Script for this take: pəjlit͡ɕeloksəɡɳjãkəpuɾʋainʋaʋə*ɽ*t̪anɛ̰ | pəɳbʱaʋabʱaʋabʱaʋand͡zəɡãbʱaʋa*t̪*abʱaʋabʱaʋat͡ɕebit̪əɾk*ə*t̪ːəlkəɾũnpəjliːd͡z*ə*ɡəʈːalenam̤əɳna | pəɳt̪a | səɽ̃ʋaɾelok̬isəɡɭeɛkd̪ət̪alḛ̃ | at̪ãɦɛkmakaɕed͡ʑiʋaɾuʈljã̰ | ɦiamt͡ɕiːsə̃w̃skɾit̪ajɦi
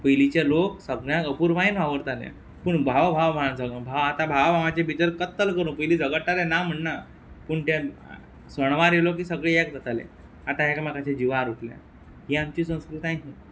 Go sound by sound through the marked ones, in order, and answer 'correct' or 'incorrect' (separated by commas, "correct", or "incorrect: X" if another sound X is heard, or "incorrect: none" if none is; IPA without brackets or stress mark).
incorrect: ɾ, correct, correct, correct